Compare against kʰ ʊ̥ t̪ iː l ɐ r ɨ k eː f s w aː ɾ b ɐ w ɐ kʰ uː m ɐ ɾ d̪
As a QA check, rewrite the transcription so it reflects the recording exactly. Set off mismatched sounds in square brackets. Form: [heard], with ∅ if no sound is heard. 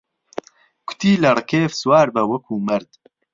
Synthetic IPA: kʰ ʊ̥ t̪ iː l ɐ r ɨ k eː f s w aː ɾ b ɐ w ɐ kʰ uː m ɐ ɾ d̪